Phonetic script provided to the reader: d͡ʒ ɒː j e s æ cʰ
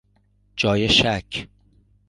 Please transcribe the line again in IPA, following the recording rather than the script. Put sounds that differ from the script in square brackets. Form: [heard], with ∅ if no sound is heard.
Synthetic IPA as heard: d͡ʒ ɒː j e [ʃ] æ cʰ